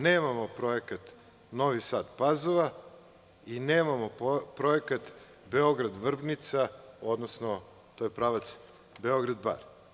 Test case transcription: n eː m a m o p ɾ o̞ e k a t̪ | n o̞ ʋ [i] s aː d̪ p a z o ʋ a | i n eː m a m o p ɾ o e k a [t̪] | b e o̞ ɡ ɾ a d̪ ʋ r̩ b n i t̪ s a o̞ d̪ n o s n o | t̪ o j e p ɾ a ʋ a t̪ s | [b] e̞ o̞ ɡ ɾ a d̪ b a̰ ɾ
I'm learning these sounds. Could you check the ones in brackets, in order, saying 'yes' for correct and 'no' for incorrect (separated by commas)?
yes, yes, yes